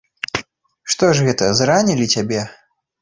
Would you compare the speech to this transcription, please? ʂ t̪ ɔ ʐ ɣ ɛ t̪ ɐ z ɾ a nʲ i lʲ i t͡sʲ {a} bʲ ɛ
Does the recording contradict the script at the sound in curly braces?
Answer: no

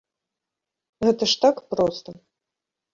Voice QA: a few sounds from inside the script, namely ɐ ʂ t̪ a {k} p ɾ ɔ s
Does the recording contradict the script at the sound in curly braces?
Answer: no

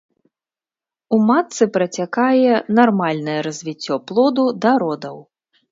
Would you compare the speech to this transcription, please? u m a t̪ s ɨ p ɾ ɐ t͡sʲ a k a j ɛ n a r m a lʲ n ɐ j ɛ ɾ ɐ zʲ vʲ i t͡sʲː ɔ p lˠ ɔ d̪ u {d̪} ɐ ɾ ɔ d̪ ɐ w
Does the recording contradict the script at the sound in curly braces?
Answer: no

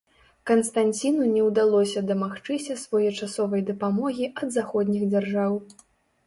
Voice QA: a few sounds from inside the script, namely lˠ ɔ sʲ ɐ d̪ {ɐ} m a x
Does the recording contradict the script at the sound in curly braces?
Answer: no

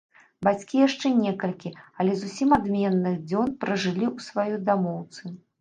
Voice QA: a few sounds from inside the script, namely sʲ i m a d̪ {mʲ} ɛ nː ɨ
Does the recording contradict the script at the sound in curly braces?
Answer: no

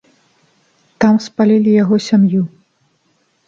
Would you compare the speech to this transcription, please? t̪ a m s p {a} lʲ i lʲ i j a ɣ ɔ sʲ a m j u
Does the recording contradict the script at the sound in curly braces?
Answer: no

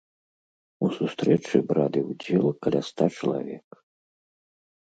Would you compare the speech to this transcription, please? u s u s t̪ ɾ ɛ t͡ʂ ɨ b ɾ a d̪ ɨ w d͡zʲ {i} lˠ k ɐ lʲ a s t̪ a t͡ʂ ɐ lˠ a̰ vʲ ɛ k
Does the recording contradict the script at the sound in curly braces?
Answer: yes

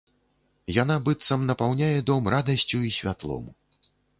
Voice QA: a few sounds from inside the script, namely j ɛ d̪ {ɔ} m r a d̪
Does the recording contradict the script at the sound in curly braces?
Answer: no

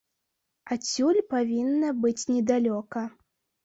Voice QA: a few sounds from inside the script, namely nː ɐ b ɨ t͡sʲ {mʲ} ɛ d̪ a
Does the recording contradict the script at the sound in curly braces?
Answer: yes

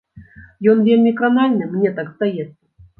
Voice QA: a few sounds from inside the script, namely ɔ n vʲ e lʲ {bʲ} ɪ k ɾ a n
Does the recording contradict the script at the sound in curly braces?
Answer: yes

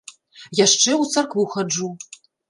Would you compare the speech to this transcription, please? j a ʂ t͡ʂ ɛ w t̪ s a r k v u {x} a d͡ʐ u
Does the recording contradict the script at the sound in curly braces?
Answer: no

